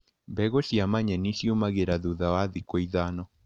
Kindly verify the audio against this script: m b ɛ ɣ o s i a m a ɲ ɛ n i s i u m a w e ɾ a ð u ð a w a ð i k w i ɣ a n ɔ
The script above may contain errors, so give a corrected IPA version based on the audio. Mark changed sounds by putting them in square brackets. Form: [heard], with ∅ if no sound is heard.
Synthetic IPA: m b ɛ ɣ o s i a m a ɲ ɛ n i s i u m a [ɣ] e ɾ a ð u ð a w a ð i k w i [ð] a n ɔ

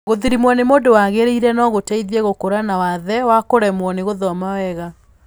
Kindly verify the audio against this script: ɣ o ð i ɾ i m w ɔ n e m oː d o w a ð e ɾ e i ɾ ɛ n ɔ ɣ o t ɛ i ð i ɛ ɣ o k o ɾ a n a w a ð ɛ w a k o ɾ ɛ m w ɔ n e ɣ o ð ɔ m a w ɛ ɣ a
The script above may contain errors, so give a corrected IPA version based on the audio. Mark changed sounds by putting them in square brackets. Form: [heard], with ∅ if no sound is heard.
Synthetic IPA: ɣ o ð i ɾ i m w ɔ n e m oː d o w a [ɣ] e ɾ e i ɾ ɛ n ɔ ɣ o t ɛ i ð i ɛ ɣ o k o ɾ a n a w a ð ɛ w a k o ɾ ɛ m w ɔ n e ɣ o ð ɔ m a w ɛ ɣ a

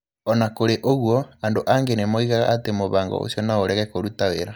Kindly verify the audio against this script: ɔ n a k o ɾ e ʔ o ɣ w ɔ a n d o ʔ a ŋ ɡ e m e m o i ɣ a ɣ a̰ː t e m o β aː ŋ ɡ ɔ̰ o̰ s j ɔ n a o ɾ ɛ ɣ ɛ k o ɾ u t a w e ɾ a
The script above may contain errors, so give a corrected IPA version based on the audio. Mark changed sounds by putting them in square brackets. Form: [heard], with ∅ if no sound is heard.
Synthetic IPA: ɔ n a k o ɾ e ʔ o ɣ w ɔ a n d o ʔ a ŋ ɡ e [n] e m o i ɣ a ɣ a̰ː t e m o β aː ŋ ɡ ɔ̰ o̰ s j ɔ n a o ɾ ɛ ɣ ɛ k o ɾ u t a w e ɾ a

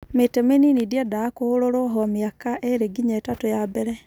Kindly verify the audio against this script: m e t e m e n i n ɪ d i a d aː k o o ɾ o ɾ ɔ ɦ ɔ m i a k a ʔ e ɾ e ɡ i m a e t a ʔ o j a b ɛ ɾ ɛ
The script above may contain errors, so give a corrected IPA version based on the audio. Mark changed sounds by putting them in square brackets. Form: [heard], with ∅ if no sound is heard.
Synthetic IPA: m e t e m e n i n [i] d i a d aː k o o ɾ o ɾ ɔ ɦ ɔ m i a k a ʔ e ɾ e ɡ i [ɲ] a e t a [t] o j a b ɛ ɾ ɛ

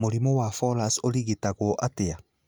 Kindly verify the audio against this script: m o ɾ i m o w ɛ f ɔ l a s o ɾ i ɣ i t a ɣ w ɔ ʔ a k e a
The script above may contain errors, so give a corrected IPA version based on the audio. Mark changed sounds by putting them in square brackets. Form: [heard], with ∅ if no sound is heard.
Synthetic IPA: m o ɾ i m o w [a] f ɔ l a s o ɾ i ɣ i t a ɣ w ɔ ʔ a [t] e a

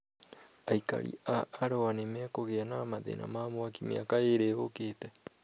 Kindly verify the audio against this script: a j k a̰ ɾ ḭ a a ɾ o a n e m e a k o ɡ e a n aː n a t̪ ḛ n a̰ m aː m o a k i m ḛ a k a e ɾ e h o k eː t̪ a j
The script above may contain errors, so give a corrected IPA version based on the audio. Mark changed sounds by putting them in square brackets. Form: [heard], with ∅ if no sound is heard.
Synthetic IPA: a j k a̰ ɾ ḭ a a ɾ o a n e m e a k o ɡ e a n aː [m] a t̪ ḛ n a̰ m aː m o a k i m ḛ a k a e ɾ e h o k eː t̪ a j

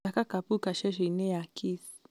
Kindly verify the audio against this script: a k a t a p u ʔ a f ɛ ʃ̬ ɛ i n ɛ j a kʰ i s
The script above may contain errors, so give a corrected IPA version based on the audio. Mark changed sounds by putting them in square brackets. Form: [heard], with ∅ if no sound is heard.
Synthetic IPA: a k a [k] a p u [k] a [ʃ] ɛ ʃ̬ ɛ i n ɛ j a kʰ i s

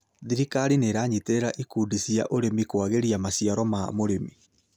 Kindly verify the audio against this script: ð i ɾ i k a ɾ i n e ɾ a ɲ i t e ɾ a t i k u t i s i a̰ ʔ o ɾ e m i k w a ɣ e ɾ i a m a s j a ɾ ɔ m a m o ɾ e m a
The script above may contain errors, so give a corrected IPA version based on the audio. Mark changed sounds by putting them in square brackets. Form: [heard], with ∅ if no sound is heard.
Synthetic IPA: ð i ɾ i k a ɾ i n e ɾ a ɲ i t e ɾ a [ʔ] i k u [d] i s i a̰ ʔ o ɾ e m i k w a ɣ e ɾ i a m a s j a ɾ ɔ m a m o ɾ e m [i]

